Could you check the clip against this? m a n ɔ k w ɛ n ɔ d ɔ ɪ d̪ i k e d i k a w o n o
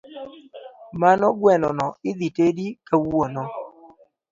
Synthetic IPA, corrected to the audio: m a n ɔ ɡ w ɛ n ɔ n ɔ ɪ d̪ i t e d i k a w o n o

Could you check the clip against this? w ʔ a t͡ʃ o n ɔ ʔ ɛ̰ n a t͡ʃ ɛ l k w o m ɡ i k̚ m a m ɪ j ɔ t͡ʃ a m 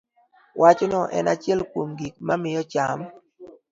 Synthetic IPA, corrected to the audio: w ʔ a t͡ʃ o n ɔ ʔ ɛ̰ n a t͡ʃ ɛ l k w o m ɡ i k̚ m a m ɪ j ɔ t͡ʃ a m

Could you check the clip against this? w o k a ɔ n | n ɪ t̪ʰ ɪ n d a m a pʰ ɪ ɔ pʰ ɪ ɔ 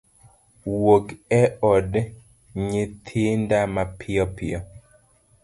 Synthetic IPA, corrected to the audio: w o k ɛ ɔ d | ɲ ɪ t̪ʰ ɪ n d a m a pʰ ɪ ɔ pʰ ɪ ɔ

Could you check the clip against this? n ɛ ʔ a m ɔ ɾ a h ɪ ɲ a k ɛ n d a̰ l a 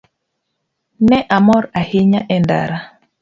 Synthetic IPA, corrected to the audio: n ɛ ʔ a m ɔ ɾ a h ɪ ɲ a ʔ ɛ n d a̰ ɾ a

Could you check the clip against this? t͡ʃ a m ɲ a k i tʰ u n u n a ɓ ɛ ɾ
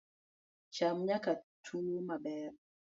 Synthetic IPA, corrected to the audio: t͡ʃ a m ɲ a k a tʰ u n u m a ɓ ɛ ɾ

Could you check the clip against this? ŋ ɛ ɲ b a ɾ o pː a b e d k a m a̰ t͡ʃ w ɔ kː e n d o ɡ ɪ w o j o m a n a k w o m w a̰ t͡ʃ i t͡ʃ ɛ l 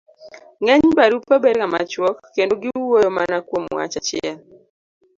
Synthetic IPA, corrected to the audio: ŋ ɛ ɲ b a ɾ u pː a b e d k a m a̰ t͡ʃ w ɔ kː e n d o ɡ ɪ w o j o m a n a k w o m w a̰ t͡ʃ a t͡ʃ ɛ l

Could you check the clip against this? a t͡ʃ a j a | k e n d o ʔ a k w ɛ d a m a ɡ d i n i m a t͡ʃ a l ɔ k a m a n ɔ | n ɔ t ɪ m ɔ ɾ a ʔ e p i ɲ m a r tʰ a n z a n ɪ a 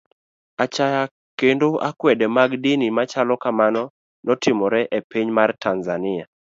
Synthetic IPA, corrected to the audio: a t͡ʃ a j a | k e n d o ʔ a k w ɛ d ɛ m a ɡ d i n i m a t͡ʃ a l ɔ k a m a n ɔ | n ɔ t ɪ m ɔ ɾ ɛ ʔ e p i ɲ m a r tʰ a n z a n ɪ a

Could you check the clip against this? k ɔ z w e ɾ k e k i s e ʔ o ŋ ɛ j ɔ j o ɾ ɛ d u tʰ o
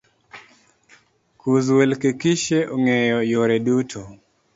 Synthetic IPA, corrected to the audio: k u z w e l k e k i ʃ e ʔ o ŋ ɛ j ɔ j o ɾ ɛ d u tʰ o

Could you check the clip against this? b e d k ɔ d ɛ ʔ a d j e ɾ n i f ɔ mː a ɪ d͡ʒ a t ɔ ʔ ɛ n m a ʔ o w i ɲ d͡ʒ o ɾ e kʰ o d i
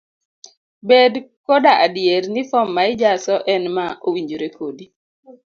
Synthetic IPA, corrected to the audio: b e d k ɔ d a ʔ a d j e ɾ n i f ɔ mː a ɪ d͡ʒ a s ɔ ʔ ɛ n m a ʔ o w i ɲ d͡ʒ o ɾ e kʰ o d i

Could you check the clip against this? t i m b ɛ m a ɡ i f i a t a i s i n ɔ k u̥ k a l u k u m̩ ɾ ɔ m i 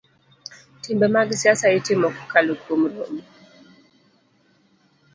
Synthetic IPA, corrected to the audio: t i m b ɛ m a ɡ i s i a s a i t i m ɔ k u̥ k a l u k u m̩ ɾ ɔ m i

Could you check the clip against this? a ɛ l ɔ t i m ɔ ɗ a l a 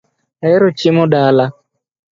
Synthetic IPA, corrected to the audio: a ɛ ɾ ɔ t͡ʃ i m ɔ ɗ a l a

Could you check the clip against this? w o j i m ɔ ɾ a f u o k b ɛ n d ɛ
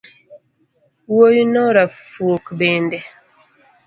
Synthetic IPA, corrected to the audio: w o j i n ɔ ɾ a f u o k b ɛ n d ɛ

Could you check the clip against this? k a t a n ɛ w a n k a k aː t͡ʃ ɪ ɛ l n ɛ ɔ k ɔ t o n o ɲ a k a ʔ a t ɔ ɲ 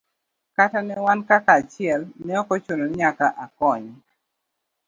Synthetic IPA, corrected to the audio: k a t a n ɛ w a n k a k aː t͡ʃ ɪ ɛ l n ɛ ɔ k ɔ t͡ʃ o n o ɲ a k a ʔ a k ɔ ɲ

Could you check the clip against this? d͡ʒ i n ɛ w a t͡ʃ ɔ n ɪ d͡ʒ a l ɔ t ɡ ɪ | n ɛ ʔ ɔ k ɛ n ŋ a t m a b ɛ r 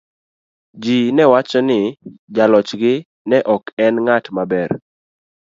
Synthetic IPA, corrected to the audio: d͡ʒ i n ɛ w a t͡ʃ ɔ n ɪ d͡ʒ a l ɔ t͡ʃ ɡ ɪ | n ɛ ʔ ɔ k ɛ n ŋ a t m a b ɛ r

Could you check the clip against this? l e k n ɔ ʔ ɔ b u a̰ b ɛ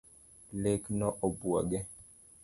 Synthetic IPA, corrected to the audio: l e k n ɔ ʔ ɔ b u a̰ ɡ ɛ

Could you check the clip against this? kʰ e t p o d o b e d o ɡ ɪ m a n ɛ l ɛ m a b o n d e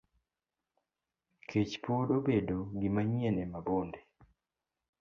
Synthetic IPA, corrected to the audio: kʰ e t͡ʃ p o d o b e d o ɡ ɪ m a ɲ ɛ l ɛ m a b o n d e

